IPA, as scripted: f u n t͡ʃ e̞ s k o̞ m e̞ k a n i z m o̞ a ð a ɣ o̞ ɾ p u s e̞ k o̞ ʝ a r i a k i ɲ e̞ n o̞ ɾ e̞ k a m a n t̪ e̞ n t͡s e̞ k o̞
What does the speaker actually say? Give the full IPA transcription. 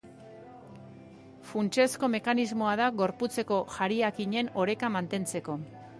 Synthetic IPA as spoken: f u n t͡ʃ e̞ s k o̞ m e̞ k a n i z m o̞ a ð a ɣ o̞ ɾ p u t͡s e̞ k o̞ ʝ a ɾ i a k i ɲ e̞ n o̞ ɾ e̞ k a m a n t̪ e̞ n t͡s e̞ k o̞